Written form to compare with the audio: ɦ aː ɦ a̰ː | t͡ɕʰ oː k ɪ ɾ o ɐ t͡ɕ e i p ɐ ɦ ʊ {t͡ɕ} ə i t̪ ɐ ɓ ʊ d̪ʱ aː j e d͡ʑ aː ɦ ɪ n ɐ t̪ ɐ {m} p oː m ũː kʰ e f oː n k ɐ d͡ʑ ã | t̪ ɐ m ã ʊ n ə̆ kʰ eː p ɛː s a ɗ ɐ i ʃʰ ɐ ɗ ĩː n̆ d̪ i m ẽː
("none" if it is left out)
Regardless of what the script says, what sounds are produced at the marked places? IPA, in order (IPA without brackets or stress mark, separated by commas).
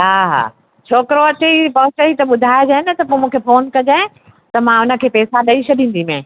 t͡ɕ, none